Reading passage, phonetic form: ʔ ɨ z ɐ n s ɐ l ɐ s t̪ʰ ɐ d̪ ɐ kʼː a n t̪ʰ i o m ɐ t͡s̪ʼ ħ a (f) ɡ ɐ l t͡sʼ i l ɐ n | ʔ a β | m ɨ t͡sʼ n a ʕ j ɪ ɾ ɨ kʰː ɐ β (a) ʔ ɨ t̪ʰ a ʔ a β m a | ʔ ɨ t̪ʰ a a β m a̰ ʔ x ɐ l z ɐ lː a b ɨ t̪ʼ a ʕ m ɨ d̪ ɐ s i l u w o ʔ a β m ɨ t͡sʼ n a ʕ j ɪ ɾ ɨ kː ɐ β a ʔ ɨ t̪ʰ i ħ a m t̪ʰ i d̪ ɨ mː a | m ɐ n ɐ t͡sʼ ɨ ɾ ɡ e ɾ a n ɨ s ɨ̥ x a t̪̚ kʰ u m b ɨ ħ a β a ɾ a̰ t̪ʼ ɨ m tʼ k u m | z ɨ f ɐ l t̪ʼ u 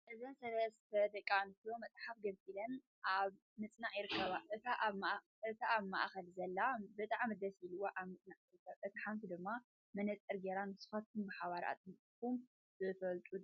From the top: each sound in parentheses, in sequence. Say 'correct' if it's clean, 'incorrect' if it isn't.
correct, correct

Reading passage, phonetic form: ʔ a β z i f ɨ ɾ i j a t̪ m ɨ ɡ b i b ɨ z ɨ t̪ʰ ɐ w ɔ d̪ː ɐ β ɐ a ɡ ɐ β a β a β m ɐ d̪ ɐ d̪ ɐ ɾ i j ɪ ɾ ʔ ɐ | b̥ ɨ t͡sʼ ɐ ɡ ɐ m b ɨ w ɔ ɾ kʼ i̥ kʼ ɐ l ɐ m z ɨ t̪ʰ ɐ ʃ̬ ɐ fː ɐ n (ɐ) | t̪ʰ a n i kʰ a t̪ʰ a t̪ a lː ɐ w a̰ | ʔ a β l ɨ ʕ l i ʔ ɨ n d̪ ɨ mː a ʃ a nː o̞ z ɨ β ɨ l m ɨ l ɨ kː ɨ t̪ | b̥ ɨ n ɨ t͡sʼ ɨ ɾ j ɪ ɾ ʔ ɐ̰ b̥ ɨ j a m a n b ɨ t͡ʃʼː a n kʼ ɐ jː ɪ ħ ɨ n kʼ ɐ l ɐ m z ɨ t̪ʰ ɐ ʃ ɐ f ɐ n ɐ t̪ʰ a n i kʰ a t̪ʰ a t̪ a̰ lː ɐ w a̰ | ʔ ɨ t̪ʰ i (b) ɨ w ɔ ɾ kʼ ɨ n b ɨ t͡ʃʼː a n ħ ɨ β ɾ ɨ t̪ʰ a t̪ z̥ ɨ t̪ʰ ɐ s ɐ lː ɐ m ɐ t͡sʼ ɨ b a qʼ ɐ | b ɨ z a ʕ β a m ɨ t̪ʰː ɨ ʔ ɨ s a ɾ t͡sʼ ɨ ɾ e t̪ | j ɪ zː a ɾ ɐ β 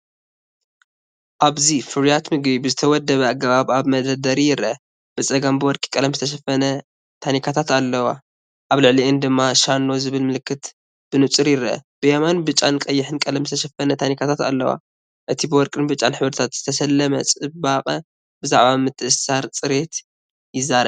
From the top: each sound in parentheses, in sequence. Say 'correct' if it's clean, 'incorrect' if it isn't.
correct, correct

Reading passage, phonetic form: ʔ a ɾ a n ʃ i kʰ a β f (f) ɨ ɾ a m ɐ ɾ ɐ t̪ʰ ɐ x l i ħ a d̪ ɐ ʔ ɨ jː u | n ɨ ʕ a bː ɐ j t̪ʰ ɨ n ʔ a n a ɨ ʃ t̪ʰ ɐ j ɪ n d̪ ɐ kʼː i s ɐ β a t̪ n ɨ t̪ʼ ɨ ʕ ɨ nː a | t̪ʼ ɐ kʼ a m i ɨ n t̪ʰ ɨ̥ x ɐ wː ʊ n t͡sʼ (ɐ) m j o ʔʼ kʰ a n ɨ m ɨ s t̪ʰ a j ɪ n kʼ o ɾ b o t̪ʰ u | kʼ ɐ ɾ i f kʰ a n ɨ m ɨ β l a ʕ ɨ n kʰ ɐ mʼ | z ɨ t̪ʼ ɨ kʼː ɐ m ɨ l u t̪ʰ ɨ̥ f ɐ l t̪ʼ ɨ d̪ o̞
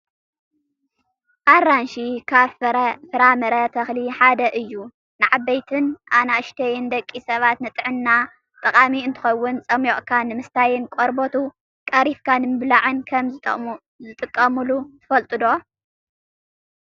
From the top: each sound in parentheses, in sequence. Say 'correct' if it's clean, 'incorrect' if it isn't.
correct, correct

